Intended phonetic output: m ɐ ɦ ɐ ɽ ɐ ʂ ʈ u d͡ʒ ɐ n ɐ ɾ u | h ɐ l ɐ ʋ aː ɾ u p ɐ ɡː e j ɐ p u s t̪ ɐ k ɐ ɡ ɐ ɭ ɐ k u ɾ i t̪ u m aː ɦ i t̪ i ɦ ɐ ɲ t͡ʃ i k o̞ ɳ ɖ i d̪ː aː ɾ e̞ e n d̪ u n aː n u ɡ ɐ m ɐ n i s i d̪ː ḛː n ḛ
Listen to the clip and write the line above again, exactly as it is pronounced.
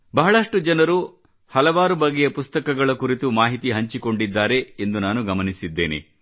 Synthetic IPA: b ɐ ɦ ɐ ɭ ɐ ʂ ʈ u d͡ʒ ɐ n ɐ ɾ u | h ɐ l ɐ ʋ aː ɾ u b ɐ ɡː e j ɐ p u s t̪ ɐ k ɐ ɡ ɐ ɭ ɐ k u ɾ i t̪ u m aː ɦ i t̪ i ɦ ɐ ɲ t͡ʃ i k o̞ ɳ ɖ i d̪ː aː ɾ e̞ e n d̪ u n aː n u ɡ ɐ m ɐ n i s i d̪ː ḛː n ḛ